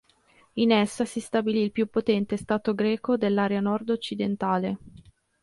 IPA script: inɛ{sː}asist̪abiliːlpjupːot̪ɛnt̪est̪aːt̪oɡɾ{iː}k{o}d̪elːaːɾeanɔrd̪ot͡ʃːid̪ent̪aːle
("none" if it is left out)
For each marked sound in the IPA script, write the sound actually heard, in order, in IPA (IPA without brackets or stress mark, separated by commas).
sː, ɛː, o